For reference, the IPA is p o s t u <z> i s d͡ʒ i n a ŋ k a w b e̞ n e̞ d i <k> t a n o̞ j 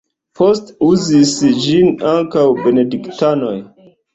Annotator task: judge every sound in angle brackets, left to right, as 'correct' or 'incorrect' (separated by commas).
correct, correct